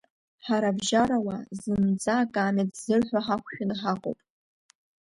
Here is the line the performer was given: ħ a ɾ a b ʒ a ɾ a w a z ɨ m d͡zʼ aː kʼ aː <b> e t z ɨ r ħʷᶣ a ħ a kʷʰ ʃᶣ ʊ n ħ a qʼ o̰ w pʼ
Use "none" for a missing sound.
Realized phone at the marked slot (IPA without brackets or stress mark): m